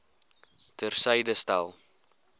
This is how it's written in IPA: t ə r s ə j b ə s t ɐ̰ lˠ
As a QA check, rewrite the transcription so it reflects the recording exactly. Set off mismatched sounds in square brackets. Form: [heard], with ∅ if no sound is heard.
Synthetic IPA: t ə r s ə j [d] ə s t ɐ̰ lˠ